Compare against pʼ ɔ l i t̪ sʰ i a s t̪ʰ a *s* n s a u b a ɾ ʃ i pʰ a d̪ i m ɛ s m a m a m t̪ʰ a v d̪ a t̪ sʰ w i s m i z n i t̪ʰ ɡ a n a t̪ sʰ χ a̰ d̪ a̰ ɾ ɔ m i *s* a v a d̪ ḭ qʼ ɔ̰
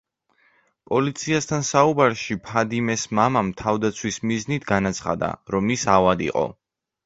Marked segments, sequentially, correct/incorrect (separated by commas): incorrect, correct